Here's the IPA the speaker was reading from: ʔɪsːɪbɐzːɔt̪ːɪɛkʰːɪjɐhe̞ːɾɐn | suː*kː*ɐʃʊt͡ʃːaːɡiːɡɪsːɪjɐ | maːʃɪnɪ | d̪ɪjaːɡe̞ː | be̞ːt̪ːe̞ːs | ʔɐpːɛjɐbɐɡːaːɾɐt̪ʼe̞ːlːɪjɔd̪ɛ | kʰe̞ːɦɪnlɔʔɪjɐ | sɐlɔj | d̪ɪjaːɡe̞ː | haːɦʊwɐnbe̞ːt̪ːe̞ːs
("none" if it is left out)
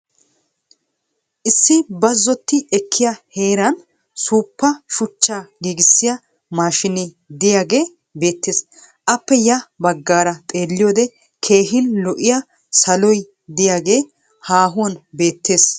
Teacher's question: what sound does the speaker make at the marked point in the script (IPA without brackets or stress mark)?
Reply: pː